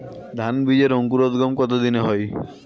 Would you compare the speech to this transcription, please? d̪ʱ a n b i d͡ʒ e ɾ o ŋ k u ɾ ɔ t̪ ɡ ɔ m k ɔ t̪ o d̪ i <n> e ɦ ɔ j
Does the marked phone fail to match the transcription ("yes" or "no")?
no